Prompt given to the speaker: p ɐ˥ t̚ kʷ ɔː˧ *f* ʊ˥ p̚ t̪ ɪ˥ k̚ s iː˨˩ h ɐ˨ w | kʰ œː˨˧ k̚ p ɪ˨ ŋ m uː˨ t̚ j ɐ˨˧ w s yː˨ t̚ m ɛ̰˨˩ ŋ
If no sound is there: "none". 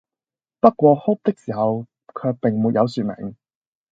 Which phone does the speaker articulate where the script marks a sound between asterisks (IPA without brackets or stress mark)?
h